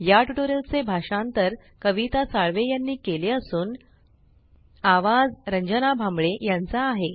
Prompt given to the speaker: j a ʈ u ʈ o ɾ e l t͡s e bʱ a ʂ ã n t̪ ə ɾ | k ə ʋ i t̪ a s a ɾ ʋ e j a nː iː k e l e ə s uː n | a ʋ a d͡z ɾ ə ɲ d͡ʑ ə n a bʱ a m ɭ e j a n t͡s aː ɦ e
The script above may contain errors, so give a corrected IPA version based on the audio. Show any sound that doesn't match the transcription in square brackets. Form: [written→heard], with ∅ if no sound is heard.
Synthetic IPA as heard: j a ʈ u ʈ o ɾ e l t͡s e bʱ a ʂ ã n t̪ ə ɾ | k ə ʋ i t̪ a s a [ɾ→ɭ] ʋ e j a nː iː k e l e ə s uː n | a ʋ a d͡z ɾ ə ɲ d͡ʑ ə n a bʱ a m ɭ e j a n t͡s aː ɦ e